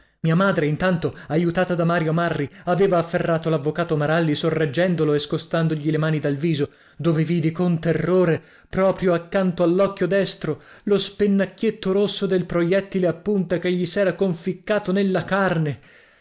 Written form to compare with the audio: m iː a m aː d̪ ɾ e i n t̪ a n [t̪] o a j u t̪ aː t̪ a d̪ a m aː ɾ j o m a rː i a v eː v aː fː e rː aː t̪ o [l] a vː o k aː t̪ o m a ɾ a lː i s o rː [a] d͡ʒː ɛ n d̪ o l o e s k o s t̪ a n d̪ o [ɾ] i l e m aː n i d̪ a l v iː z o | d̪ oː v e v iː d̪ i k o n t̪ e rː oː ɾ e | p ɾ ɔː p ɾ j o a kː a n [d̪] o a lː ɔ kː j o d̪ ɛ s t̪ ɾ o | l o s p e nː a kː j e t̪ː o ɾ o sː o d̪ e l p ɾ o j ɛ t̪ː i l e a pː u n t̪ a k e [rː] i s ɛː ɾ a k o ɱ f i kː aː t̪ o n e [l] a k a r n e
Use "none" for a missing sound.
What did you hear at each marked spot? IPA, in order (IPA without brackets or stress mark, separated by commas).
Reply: t̪, l, e, ʎ, t̪, ʎː, lː